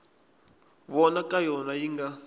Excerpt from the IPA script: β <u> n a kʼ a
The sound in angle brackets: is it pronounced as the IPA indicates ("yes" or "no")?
no